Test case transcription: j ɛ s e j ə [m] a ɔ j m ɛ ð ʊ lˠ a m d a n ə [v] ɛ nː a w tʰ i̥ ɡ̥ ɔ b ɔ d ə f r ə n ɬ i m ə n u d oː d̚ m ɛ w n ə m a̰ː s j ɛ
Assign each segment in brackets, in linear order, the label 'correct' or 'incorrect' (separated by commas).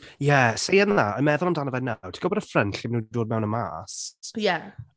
incorrect, correct